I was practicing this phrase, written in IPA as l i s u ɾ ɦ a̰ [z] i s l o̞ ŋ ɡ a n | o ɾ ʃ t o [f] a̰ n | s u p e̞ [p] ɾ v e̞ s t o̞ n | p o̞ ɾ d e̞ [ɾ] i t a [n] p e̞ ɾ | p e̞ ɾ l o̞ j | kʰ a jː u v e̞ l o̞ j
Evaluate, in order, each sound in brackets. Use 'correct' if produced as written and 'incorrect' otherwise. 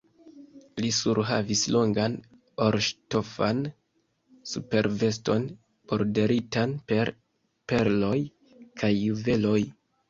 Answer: incorrect: v, correct, incorrect: none, correct, correct

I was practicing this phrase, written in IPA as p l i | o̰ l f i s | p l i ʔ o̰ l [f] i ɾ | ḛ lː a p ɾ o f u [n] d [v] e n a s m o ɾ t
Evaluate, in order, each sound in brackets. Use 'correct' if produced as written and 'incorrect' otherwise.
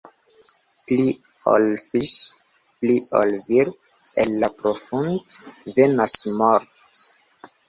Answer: incorrect: v, correct, correct

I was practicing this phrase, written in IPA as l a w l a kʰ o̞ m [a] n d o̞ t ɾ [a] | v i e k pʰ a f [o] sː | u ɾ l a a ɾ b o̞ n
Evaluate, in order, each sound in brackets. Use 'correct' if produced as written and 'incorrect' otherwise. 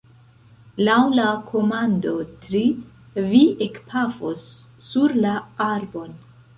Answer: correct, incorrect: i, correct

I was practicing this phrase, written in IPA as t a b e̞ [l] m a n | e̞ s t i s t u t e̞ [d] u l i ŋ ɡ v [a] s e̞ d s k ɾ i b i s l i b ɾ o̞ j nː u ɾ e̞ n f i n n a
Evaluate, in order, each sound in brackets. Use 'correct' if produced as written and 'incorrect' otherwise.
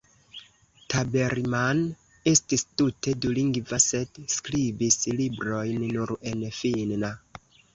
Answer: incorrect: ɾ, correct, correct

